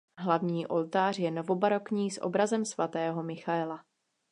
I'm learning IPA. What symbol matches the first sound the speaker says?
ɦ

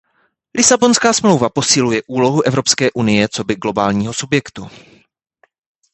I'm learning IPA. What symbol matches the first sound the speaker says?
l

